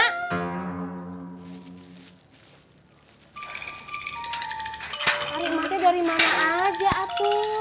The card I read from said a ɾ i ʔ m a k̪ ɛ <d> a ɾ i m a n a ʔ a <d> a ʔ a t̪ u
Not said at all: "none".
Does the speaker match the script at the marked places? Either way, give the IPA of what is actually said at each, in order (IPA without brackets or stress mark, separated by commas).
d, d͡ʒ